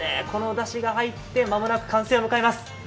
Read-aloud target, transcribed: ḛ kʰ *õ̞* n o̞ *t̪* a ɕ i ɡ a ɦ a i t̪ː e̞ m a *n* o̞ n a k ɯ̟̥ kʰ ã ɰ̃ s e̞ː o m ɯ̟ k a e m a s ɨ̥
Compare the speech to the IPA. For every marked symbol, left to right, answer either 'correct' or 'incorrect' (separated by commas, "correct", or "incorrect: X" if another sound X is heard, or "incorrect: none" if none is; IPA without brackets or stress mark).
incorrect: o̞, incorrect: d̪, incorrect: m